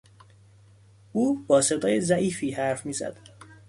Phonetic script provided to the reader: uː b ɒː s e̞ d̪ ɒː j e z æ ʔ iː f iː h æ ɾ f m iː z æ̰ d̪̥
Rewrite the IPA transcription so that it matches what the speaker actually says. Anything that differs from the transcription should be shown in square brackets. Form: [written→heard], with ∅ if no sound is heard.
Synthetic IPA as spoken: uː b ɒː s e̞ d̪ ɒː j e z æ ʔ iː f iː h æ ɾ f m iː z æ̰ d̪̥